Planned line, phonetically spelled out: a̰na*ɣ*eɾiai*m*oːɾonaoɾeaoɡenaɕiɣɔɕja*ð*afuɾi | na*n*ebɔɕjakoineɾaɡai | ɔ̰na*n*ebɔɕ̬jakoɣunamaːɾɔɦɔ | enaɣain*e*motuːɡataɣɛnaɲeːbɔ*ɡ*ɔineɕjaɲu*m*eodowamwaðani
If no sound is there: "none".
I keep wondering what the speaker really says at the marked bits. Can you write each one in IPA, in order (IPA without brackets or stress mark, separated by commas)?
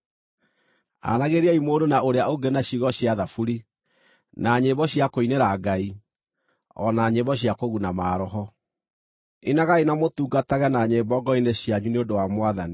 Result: ɣ, m, ð, ɲ, ɲ, a, ɡ, n